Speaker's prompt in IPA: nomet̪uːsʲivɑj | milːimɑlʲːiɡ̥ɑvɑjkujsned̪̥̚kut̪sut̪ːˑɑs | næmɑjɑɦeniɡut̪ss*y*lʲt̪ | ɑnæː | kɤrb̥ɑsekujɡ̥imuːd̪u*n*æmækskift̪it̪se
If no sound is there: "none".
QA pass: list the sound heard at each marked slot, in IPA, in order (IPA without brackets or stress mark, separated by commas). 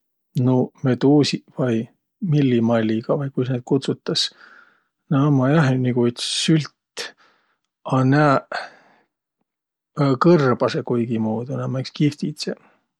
y, n